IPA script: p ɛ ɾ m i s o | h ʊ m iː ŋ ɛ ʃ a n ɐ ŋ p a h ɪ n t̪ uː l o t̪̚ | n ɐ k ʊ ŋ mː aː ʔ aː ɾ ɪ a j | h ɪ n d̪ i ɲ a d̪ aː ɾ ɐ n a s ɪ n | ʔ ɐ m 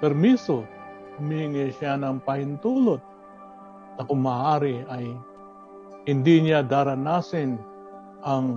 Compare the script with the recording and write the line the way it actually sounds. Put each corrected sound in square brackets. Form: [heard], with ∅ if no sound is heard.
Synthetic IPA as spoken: p ɛ ɾ m i s o | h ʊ m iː ŋ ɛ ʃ a n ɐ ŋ p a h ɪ n t̪ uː l o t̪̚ | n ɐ k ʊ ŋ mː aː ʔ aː ɾ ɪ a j | h ɪ n d̪ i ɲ a d̪ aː ɾ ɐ n a s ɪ n | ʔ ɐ [ŋ]